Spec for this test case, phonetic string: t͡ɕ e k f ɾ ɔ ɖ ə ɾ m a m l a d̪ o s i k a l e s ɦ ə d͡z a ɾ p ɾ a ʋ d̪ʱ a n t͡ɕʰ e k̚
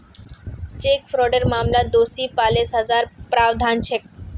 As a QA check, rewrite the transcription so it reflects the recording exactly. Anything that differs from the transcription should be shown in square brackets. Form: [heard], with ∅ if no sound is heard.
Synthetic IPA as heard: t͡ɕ e k f ɾ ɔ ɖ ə ɾ m a m l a d̪ o s i [p] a l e s ɦ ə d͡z a ɾ p ɾ a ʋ d̪ʱ a n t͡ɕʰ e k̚